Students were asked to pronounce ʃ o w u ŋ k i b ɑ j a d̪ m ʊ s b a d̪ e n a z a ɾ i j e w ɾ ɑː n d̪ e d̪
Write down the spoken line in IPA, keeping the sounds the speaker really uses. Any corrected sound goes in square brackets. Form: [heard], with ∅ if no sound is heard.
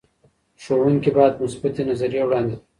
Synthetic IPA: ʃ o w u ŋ k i b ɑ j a d̪ m ʊ s b a [t̪] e n a z a ɾ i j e w [ɽ] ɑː n d̪ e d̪